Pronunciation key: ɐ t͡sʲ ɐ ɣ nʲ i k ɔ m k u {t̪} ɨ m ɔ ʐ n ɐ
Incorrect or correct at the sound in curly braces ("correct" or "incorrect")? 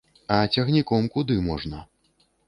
incorrect